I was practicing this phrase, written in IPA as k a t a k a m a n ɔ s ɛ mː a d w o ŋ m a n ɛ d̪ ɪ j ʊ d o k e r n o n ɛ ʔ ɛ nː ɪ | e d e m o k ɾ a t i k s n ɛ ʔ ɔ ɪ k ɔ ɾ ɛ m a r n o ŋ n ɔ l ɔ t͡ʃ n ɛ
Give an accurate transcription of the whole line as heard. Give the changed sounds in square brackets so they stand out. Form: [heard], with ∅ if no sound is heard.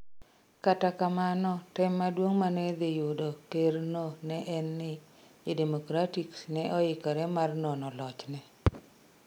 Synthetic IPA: k a t a k a m a n ɔ [t] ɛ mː a d w o ŋ m a n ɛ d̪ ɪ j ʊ d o k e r n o n ɛ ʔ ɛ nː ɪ | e d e m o k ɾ a t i k s n ɛ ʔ ɔ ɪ k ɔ ɾ ɛ m a r n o [∅] n ɔ l ɔ t͡ʃ n ɛ